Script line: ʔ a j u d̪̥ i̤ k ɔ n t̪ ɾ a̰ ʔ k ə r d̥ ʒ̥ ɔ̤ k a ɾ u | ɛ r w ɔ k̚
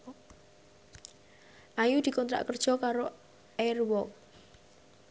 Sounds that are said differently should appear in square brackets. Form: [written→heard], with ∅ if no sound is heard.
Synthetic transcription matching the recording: ʔ a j u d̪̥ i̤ k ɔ n t̪ ɾ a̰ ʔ k ə r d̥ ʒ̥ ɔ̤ k a ɾ [u→o] | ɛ r w ɔ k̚

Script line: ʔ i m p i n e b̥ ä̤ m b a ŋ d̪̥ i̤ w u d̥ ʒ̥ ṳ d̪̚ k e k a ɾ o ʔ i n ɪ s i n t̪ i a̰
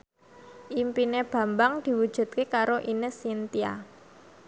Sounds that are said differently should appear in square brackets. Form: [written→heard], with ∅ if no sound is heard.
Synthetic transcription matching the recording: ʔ i m p i n e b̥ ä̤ m b a ŋ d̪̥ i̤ w u d̥ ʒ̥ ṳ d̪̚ k e k a ɾ o ʔ i n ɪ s i n t̪ i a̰

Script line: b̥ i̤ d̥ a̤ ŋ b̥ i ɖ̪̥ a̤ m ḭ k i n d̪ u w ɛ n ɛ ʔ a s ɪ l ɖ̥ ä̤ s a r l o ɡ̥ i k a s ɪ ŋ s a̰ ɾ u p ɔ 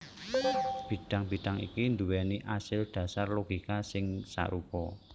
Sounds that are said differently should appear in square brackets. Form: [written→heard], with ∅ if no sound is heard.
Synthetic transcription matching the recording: b̥ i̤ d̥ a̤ ŋ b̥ i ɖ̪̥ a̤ [m→ŋ] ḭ k i n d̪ u w ɛ n [ɛ→i] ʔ a s ɪ l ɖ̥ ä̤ s a r l o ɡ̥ i k a s ɪ ŋ s a̰ ɾ u p ɔ

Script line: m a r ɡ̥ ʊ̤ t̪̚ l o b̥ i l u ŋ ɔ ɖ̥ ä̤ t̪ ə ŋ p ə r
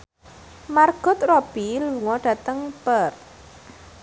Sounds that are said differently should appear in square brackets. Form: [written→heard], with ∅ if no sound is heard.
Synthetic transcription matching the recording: m a r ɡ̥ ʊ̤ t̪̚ [l→r] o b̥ i l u ŋ ɔ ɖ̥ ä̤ t̪ ə ŋ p ə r

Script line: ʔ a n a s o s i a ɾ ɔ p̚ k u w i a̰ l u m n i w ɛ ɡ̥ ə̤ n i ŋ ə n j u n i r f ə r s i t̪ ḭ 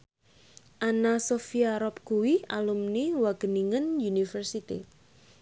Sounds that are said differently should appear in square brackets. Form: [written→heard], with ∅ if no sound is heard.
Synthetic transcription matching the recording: ʔ a n a s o [s→f] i a ɾ ɔ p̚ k u w i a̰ l u m n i w [ɛ→a] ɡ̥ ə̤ n i ŋ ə n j u n i [r→∅] f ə r s i t̪ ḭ

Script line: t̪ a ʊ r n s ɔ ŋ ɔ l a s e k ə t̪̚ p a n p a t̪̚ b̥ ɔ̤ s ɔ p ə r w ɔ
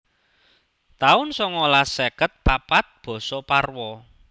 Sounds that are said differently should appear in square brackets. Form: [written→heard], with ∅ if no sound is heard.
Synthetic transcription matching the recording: t̪ a ʊ [r→∅] n s ɔ ŋ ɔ l a s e k ə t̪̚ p a [n→∅] p a t̪̚ b̥ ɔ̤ s ɔ p [ə→a] r w ɔ

